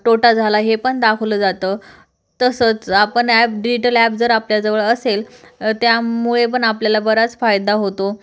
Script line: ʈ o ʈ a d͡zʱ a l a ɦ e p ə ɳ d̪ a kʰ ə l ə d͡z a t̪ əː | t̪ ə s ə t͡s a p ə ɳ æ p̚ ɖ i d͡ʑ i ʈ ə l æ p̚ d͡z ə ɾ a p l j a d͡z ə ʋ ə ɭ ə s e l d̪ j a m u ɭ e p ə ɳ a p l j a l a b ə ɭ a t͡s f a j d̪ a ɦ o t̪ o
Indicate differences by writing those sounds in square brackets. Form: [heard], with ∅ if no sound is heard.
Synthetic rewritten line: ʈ o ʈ a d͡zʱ a l a ɦ e p ə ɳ d̪ a kʰ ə l ə d͡z a t̪ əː | t̪ ə s ə t͡s a p ə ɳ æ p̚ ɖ i d͡ʑ i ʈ ə l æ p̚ d͡z ə ɾ a p l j a d͡z ə ʋ ə ɭ ə s e l [t̪] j a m u ɭ e p ə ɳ a p l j a l a b ə [ɾ] a t͡s f a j d̪ a ɦ o t̪ o